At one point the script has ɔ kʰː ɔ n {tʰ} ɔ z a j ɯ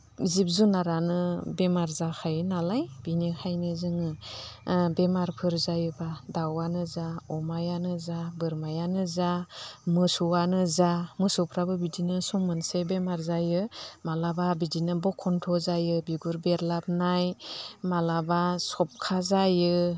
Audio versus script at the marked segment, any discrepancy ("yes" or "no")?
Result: no